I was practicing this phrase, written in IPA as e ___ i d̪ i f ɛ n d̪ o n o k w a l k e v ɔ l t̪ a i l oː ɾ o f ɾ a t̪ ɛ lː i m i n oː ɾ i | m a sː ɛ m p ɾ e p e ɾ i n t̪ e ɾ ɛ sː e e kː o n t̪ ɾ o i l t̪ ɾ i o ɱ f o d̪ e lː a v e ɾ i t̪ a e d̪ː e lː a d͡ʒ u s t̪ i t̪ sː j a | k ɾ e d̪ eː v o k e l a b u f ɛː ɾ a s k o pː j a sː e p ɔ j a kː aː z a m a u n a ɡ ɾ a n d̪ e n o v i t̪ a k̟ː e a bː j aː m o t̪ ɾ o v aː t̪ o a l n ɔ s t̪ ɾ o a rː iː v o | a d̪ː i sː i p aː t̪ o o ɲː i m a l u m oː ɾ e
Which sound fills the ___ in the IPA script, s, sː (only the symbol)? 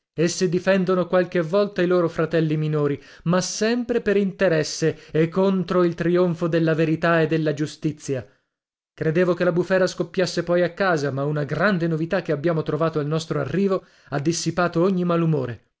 sː